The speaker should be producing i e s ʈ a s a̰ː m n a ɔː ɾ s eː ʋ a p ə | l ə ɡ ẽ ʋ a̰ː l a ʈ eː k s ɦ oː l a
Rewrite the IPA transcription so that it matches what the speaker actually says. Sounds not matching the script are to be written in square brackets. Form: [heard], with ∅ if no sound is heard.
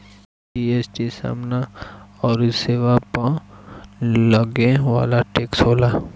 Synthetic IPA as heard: i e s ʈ [i] s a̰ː m n a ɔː ɾ s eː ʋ a p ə | l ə ɡ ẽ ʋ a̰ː l a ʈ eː k s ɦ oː l a